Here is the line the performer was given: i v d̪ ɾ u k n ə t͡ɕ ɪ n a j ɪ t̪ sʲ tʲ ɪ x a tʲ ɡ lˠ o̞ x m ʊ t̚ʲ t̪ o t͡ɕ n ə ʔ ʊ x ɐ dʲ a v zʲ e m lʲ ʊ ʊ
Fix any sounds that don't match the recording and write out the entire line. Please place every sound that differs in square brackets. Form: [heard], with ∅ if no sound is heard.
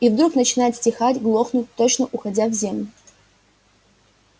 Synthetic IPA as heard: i v d̪ ɾ u k n ə t͡ɕ ɪ n a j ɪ t̪ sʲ tʲ ɪ x a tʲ ɡ lˠ o̞ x [n] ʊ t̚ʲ t̪ o t͡ɕ n ə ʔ ʊ x ɐ dʲ a v zʲ e m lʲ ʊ ʊ